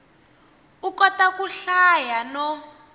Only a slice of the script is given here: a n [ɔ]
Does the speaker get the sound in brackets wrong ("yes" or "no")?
no